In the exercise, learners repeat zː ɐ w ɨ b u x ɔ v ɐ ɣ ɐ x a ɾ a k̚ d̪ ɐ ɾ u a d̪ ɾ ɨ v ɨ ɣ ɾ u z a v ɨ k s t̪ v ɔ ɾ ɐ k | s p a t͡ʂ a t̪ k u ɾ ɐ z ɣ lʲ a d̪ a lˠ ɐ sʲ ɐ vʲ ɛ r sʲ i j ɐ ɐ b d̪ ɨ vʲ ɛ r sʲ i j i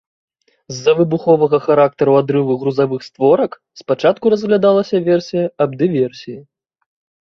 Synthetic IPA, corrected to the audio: zː ɐ v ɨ b u x ɔ v ɐ ɣ ɐ x a ɾ a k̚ t̪ ɐ ɾ u a d̪ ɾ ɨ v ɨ ɣ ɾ u z a v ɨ x s t̪ v ɔ ɾ ɐ k | s p a t͡ʂ a t̪ k u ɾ ɐ z ɣ lʲ a d̪ a lˠ ɐ sʲ ɐ vʲ ɛ r sʲ i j ɐ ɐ b d̪ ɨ vʲ ɛ r sʲ i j i